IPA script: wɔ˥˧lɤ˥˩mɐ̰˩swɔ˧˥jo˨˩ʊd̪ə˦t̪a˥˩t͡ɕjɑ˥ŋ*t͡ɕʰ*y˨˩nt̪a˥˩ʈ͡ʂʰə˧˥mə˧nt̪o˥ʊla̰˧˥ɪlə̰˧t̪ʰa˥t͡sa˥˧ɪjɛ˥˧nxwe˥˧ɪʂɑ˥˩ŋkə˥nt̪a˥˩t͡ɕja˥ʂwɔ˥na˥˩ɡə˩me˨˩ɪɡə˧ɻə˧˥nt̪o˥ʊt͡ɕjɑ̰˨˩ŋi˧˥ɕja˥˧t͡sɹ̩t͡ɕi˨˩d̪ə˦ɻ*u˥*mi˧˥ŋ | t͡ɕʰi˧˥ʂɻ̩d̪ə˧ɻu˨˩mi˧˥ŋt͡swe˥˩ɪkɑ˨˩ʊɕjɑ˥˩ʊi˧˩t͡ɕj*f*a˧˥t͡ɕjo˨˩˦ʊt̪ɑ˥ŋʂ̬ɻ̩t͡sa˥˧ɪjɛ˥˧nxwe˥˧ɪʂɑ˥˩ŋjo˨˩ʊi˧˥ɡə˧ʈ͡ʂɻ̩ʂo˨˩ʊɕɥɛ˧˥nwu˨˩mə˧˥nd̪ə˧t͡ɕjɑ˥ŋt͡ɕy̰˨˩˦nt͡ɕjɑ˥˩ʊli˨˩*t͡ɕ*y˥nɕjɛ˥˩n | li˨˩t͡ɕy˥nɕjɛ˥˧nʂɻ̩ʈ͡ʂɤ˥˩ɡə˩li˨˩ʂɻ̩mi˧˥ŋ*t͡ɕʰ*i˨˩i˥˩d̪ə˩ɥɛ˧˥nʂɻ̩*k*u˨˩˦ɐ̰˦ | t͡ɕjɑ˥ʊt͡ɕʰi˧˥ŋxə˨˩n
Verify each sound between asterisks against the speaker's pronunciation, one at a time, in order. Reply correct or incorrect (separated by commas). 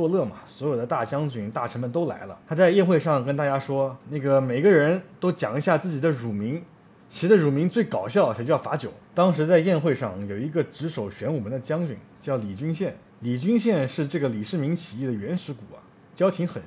incorrect, incorrect, correct, correct, correct, correct